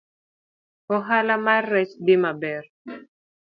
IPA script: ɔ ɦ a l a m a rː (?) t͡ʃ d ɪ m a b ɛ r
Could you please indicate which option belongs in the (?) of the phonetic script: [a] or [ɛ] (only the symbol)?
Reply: ɛ